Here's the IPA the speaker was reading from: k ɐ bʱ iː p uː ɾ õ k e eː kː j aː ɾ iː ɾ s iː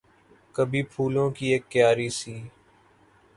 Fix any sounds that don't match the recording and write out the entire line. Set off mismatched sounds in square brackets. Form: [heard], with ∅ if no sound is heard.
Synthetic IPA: k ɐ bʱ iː [pʰ] uː [l] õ k [i] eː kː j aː ɾ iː [∅] s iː